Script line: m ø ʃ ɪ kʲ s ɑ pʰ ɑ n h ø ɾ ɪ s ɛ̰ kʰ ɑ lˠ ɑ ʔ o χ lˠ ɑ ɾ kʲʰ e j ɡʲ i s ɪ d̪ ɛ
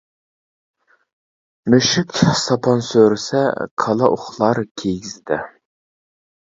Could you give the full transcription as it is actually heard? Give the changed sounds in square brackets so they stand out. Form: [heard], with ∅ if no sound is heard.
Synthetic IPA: m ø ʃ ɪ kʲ s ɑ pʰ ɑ n [s] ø ɾ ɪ s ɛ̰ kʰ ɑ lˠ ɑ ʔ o χ lˠ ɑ ɾ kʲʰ e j ɡʲ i [z] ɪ d̪ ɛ